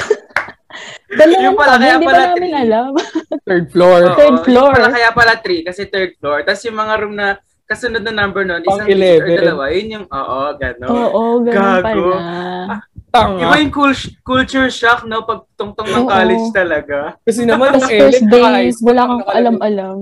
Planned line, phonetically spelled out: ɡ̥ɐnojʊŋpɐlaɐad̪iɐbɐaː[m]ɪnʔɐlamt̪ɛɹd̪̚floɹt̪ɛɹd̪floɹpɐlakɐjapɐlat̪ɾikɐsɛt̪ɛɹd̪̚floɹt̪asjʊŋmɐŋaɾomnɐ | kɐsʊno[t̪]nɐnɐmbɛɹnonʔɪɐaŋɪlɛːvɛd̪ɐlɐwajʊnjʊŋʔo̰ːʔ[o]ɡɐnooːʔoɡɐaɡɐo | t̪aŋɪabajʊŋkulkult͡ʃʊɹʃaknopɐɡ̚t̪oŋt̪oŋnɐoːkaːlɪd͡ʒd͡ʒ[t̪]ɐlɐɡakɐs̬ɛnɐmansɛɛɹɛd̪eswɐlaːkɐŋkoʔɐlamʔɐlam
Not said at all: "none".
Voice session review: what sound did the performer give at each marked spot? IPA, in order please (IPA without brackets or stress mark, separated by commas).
m, d̪, o, t̪